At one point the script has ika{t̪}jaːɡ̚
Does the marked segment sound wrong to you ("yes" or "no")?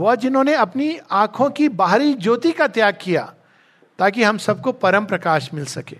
no